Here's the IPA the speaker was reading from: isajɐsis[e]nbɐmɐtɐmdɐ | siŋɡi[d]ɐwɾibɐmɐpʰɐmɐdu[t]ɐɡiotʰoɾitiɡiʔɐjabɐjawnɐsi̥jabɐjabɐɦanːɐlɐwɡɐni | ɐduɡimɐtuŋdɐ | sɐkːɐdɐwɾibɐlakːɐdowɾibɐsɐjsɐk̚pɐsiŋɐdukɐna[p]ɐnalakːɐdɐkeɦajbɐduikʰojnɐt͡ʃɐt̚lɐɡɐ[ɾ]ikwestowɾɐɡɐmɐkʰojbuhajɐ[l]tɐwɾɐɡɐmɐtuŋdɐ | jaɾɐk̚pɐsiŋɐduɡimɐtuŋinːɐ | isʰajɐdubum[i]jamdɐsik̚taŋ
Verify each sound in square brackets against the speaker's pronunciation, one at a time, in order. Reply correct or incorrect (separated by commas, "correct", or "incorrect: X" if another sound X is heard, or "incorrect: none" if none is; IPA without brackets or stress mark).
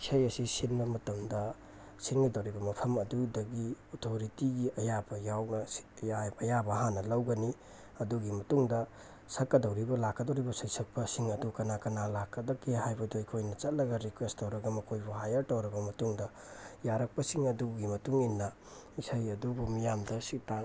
incorrect: i, correct, incorrect: d, incorrect: k, correct, incorrect: ɾ, correct